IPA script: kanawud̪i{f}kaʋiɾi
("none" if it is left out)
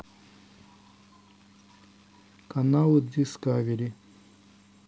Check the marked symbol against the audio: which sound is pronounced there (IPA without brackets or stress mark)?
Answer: s